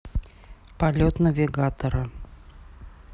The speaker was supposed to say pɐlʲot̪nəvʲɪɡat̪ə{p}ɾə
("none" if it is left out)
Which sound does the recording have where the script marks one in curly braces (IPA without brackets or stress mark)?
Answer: none